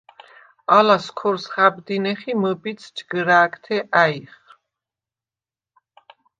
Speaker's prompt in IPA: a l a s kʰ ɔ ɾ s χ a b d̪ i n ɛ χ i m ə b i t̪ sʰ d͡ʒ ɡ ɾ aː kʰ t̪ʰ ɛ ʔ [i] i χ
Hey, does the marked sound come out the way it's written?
no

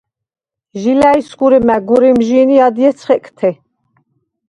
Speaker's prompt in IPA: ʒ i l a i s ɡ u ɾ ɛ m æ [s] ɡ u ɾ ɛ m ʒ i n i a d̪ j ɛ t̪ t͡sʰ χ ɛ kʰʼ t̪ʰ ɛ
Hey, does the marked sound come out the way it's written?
no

